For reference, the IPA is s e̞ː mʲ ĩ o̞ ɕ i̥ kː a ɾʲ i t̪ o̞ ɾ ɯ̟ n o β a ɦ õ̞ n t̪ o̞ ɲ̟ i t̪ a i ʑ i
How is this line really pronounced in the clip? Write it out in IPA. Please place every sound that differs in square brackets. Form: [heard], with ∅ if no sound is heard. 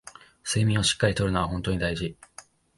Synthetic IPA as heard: s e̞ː mʲ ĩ o̞ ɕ i̥ kː a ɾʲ i t̪ o̞ ɾ ɯ̟ n o β a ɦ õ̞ n t̪ o̞ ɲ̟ i [d̪] a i ʑ i